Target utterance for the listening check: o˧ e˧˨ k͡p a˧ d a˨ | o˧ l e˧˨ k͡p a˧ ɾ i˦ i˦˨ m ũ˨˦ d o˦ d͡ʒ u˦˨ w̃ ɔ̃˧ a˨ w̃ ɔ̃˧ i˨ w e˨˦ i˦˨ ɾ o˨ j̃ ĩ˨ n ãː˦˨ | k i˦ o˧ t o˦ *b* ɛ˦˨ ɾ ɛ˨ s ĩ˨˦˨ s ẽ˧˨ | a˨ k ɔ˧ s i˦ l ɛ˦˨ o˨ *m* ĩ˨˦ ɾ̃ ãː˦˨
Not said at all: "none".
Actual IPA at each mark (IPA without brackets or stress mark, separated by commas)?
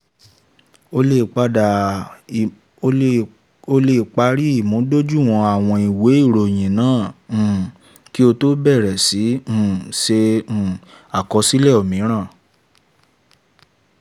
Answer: b, m